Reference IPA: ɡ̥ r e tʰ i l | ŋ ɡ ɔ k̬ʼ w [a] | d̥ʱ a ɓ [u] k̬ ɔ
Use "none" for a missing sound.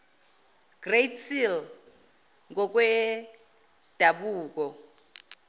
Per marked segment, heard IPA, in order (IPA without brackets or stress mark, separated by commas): ɛ, uː